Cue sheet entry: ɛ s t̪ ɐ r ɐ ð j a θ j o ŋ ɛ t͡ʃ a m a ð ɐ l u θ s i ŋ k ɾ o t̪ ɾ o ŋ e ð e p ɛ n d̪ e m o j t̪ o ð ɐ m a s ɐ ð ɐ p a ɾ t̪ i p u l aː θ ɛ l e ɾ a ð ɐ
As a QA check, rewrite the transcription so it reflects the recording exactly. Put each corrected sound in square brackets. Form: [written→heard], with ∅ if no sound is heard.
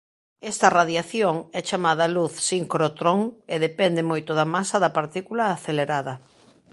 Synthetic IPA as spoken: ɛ s t̪ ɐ r [ɐ→a] ð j a θ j o ŋ ɛ t͡ʃ a m a ð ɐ l u θ s i ŋ k ɾ o t̪ ɾ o ŋ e ð e p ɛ n d̪ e m o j t̪ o ð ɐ m a s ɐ ð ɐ p a ɾ t̪ i [p→k] u l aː θ [ɛ→e] l e ɾ a ð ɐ